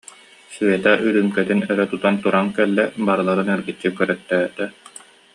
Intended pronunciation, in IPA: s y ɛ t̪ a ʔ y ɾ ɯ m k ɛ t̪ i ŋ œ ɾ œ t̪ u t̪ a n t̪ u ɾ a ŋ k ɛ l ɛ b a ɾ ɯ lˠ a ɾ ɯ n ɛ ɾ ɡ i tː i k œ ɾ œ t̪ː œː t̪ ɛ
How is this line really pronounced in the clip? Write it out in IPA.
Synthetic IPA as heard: s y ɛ t̪ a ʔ y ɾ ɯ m k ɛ t̪ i n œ ɾ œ t̪ u t̪ a n t̪ u ɾ a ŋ k ɛ lː ɛ b a ɾ ɯ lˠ a ɾ ɯ n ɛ ɾ ɡ i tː i k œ ɾ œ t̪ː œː t̪ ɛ